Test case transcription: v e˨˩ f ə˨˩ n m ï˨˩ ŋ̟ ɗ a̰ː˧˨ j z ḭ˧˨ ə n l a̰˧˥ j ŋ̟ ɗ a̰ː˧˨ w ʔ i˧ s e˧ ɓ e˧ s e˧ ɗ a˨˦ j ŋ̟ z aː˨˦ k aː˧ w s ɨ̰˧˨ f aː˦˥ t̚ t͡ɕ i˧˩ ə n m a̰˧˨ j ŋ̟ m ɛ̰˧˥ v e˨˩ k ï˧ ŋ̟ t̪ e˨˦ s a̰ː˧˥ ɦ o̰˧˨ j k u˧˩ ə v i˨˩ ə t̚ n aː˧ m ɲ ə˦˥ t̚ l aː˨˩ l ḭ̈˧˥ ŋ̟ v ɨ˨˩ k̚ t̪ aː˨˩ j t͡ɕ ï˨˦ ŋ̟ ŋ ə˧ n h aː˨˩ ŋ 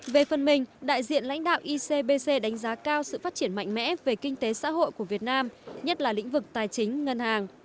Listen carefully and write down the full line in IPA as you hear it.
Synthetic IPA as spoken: v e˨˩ f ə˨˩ n m ï˨˩ ŋ̟ ɗ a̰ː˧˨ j z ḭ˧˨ ə n l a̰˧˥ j ŋ̟ ɗ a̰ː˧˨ w ʔ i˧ s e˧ ɓ e˧ s e˧ ɗ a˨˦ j ŋ̟ z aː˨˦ k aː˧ w s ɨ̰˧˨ f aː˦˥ t̚ t͡ɕ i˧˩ ə n m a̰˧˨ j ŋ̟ m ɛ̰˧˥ v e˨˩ k ï˧ ŋ̟ t̪ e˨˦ s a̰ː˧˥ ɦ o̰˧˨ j k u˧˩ ə v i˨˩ ə t̚ n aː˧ m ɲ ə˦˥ t̚ l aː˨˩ l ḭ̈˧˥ ŋ̟ v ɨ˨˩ k̚ t̪ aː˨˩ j t͡ɕ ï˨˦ ŋ̟ ŋ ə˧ n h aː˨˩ ŋ

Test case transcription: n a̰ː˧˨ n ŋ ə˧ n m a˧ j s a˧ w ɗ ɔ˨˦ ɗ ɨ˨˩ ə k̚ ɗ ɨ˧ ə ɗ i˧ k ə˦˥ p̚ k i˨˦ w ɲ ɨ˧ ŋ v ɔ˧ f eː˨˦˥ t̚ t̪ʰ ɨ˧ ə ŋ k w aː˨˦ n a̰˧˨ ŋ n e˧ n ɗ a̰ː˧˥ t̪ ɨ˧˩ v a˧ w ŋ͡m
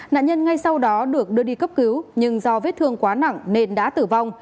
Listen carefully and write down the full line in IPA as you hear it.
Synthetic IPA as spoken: n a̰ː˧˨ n ɲ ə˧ n ŋ a˧ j s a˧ w ɗ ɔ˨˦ ɗ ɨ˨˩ ə k̚ ɗ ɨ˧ ə ɗ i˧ k ə˦˥ p̚ k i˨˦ w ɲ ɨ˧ ŋ z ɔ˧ v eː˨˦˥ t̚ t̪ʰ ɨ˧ ə ŋ k w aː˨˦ n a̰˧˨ ŋ n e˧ n ɗ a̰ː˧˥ t̪ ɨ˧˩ v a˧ w ŋ͡m

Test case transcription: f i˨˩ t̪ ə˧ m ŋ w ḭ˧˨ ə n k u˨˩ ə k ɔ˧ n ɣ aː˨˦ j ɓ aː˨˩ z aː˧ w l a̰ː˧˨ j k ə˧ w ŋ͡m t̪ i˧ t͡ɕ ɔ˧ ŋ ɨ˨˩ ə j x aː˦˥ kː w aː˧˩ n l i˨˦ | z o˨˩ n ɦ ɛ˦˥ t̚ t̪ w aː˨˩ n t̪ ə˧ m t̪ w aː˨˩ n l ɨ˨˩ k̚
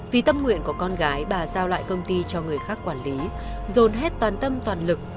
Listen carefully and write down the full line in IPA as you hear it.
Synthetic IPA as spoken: v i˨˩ t̪ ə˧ m ŋ w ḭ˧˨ ə n k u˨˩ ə k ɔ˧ n ɣ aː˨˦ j ɓ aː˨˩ z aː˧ w l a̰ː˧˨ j k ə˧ w ŋ͡m t̪ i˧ t͡ɕ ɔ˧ ŋ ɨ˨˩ ə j x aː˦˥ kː w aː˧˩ n l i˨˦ | z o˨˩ n ɦ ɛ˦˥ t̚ t̪ w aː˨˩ n t̪ ə˧ m t̪ w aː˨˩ n l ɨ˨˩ k̚

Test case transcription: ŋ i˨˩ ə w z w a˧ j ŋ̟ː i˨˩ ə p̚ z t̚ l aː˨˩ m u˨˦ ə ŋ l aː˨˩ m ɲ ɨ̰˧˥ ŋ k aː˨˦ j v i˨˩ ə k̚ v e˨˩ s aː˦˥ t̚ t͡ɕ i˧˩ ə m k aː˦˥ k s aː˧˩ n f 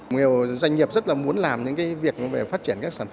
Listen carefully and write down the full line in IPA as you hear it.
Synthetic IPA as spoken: ŋ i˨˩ ə w z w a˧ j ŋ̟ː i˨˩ ə p̚ z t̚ l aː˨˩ m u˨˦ ə n l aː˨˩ m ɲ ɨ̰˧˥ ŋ k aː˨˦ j v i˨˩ ə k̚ v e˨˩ f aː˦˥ t̚ t͡ɕ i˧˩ ə n k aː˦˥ k s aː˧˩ n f

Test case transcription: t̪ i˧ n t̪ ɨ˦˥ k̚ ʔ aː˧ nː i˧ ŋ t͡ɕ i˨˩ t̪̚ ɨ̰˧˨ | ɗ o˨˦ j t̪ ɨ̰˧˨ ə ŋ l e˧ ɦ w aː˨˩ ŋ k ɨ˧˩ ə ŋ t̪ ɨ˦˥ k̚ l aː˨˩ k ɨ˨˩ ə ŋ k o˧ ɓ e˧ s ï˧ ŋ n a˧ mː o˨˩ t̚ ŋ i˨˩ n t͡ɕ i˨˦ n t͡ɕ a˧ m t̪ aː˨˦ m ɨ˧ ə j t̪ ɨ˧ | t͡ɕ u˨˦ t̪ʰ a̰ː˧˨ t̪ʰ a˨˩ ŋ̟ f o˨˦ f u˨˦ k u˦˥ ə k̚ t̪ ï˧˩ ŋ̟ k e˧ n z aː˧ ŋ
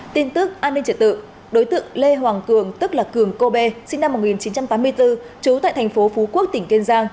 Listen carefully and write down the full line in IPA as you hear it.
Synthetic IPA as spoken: t̪ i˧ n t̪ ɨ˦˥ k̚ ʔ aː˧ nː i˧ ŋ t͡ɕ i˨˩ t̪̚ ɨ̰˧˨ | ɗ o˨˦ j t̪ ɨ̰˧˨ ə ŋ l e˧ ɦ w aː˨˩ ŋ k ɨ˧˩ ə ŋ t̪ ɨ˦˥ k̚ l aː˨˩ k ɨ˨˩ ə ŋ k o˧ ɓ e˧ s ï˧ ŋ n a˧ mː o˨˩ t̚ ŋ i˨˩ n t͡ɕ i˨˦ n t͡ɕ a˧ m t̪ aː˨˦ m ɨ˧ ə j t̪ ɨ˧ | t͡ɕ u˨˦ t̪ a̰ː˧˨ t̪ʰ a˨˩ ŋ̟ f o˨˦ f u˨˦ k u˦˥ ə k̚ t̪ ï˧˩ ŋ̟ k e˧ n z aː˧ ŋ

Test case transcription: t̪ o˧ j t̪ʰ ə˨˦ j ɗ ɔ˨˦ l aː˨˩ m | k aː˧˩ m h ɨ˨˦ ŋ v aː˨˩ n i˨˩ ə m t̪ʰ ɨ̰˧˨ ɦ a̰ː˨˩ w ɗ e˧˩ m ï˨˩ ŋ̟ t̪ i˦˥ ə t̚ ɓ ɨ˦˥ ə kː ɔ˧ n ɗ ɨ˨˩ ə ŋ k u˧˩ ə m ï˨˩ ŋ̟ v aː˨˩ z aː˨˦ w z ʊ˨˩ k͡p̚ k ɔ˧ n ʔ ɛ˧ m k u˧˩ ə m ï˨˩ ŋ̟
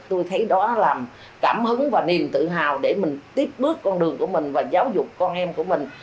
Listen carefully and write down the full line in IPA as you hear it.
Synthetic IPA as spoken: t̪ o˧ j t̪ʰ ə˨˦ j ɗ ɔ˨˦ l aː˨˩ m | k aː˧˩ m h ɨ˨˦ ŋ v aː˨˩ n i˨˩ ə m t̪ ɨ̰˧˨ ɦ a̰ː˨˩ w ɗ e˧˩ m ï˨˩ ŋ̟ t̪ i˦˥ ə p̚ ɓ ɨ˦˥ ə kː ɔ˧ n ɗ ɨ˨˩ ə ŋ k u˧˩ ə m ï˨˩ ŋ̟ v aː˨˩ z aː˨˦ w z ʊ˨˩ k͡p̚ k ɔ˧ n ʔ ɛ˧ m k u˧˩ ə m ï˨˩ ŋ̟

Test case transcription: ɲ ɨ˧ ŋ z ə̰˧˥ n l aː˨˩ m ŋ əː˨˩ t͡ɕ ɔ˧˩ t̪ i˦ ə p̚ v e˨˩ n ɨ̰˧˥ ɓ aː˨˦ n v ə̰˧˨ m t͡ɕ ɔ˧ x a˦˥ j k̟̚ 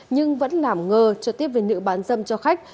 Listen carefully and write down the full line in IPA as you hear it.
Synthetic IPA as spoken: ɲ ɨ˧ ŋ v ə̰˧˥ n l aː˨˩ m ŋ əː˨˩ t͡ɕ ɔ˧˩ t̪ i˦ ə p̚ v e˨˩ n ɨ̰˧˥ ɓ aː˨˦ n z ə̰˧˨ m t͡ɕ ɔ˧ x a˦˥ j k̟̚

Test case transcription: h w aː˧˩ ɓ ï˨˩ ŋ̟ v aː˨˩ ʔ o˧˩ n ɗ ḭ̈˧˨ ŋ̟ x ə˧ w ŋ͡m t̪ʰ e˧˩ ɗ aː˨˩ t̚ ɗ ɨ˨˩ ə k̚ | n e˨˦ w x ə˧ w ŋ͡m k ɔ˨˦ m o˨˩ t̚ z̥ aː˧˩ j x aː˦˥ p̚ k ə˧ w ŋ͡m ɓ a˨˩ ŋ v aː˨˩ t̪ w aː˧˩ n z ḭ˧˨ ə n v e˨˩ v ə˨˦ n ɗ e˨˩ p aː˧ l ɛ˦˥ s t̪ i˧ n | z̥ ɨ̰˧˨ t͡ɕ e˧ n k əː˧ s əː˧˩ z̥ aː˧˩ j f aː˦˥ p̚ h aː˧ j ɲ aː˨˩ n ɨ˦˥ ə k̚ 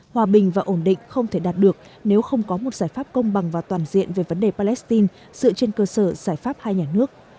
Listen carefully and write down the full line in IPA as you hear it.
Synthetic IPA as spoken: h w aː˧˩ ɓ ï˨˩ ŋ̟ v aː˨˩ ʔ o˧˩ n ɗ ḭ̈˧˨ ŋ̟ x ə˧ w ŋ͡m t̪ʰ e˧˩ ɗ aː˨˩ t̚ ɗ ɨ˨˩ ə k̚ | n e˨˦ w x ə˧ w ŋ͡m k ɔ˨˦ m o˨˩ t̚ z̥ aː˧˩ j f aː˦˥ p̚ k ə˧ w ŋ͡m ɓ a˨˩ ŋ v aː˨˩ t̪ w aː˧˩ n z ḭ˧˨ ə n v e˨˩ v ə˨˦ n ɗ e˨˩ p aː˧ l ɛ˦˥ s t̪ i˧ n | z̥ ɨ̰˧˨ t͡ɕ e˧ n k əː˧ s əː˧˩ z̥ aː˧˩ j f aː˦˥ p̚ h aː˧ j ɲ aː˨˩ n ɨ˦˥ ə k̚

